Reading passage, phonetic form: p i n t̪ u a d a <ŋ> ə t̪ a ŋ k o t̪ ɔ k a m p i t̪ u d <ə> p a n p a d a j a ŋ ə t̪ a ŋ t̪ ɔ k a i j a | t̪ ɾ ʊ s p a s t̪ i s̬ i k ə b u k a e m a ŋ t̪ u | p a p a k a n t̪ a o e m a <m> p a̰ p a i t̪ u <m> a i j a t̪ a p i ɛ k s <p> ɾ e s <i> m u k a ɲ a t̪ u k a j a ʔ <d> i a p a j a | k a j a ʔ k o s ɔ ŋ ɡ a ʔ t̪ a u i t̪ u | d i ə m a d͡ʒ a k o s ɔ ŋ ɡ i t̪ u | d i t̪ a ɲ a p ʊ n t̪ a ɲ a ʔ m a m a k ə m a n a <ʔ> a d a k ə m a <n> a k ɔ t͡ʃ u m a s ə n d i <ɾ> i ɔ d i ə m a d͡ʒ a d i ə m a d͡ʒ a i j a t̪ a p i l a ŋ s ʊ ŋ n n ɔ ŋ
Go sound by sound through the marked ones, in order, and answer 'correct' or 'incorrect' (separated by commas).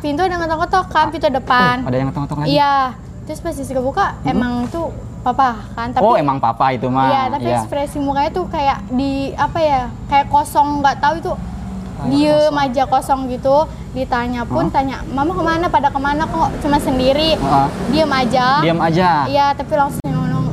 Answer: correct, correct, incorrect, correct, correct, correct, correct, incorrect, correct, correct